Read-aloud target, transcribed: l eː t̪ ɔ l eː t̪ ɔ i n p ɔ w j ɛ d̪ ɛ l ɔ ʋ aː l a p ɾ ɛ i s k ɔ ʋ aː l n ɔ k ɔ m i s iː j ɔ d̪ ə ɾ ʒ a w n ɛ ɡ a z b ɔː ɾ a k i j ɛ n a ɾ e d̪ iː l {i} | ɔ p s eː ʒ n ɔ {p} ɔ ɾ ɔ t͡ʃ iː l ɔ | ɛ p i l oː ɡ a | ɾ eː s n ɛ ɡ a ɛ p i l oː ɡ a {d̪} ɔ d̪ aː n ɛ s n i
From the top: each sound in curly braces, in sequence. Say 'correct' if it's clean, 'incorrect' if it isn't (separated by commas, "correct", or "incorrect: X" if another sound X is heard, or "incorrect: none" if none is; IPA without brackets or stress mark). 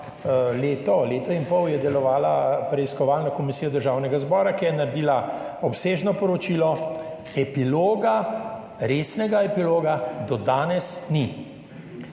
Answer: incorrect: a, correct, correct